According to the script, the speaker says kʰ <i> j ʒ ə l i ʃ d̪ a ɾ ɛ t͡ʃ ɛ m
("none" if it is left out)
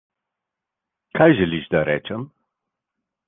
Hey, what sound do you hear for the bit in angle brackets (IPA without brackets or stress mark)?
a